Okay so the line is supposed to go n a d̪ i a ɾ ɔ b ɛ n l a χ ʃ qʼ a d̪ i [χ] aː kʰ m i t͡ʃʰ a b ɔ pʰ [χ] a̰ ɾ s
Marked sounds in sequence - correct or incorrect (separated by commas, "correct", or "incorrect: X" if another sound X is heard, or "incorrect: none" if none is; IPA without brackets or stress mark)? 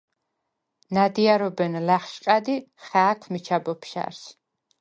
correct, incorrect: ʃ